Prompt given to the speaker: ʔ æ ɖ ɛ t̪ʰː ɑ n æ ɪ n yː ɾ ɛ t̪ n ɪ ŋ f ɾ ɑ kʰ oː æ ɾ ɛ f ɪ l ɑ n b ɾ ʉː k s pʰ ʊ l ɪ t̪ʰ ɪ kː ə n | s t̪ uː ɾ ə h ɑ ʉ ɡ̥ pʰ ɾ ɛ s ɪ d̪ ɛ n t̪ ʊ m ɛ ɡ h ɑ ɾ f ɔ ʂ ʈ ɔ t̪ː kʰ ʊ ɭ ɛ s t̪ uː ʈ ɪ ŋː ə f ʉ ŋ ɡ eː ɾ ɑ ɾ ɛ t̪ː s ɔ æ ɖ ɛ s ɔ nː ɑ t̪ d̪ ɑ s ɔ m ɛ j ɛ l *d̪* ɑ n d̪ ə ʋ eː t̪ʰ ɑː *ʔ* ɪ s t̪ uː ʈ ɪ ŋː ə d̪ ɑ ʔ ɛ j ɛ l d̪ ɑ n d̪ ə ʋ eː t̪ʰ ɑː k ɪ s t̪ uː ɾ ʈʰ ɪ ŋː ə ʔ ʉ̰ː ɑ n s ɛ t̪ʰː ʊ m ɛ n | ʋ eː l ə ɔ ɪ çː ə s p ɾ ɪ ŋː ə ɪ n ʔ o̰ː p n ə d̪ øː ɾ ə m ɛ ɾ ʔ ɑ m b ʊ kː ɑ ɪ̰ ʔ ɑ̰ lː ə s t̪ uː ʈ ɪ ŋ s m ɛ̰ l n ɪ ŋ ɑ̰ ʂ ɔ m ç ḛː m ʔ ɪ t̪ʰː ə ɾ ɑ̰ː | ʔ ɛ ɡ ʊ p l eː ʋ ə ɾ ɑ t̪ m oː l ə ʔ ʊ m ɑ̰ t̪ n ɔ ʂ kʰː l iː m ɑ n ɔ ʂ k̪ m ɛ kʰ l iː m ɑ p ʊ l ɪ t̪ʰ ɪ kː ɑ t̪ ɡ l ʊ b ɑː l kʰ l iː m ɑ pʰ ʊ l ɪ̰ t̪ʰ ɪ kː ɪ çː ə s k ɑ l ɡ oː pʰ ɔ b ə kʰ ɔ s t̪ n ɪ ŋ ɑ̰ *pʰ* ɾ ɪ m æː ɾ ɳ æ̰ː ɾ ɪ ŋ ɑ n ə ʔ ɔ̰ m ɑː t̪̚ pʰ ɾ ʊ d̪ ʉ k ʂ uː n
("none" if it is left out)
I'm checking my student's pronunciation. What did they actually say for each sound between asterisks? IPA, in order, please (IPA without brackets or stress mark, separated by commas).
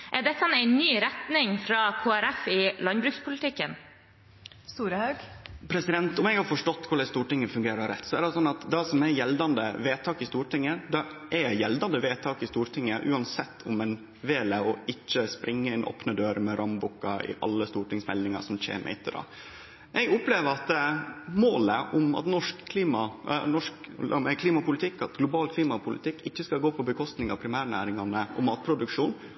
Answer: d̪, k, pʰ